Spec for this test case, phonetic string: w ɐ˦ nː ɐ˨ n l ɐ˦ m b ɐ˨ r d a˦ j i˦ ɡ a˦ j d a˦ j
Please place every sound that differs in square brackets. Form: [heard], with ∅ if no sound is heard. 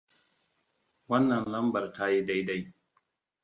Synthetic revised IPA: w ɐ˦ nː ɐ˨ n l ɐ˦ m b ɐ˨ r [t] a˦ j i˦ [d] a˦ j d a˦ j